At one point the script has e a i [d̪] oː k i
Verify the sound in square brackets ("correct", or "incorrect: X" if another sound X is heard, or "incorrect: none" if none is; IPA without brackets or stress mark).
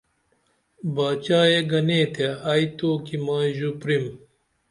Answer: incorrect: t̪